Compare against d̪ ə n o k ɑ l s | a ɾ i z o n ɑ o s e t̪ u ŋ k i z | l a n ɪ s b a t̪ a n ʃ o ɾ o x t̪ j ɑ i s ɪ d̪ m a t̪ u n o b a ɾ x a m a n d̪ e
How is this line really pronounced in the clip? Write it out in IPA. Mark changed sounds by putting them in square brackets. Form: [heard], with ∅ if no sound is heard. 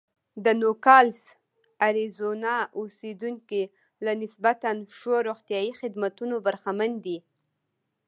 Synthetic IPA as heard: d̪ ə n o k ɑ l s | a ɾ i z o n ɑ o s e [d̪] u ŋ k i [∅] | l a n ɪ s b a t̪ a n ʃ o ɾ o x t̪ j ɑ i [x] ɪ d̪ m a t̪ u n o b a ɾ x a m a n d̪ [i]